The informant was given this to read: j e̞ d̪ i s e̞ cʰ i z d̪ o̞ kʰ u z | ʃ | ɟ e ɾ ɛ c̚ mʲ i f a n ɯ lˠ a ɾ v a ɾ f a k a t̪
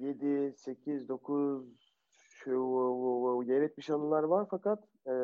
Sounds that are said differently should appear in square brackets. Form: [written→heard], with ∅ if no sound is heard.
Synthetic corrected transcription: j e̞ d̪ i s e̞ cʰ i z d̪ o̞ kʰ u z | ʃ | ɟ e ɾ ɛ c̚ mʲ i [f→ʃ] a n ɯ lˠ a ɾ v a ɾ f a k a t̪